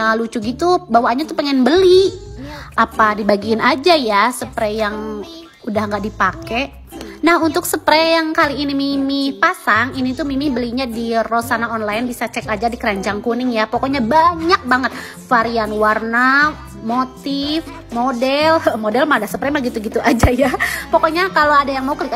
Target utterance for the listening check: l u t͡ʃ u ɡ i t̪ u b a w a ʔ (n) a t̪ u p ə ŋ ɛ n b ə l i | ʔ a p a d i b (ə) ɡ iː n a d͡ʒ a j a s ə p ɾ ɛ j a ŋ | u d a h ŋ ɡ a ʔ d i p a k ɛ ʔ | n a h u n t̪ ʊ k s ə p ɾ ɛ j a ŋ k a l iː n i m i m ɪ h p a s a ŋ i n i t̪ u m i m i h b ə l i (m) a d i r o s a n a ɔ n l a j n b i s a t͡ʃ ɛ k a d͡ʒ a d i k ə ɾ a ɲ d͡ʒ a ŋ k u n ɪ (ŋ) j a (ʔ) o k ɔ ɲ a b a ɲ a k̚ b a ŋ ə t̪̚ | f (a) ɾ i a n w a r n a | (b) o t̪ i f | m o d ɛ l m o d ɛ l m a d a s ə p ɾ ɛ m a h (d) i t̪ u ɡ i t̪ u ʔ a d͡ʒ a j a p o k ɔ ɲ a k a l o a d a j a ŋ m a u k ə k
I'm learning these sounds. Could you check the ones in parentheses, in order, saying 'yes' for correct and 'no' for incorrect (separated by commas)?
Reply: no, no, no, yes, no, yes, no, no